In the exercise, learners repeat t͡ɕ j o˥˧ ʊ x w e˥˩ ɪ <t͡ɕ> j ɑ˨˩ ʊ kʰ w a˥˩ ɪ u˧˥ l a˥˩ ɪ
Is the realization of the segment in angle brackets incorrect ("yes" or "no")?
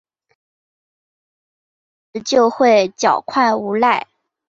no